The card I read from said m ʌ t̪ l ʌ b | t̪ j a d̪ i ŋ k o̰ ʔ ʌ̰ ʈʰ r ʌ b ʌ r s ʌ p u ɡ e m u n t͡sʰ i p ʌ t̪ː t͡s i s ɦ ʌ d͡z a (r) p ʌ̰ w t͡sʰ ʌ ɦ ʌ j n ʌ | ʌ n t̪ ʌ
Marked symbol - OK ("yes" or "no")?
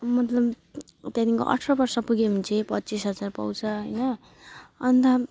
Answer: yes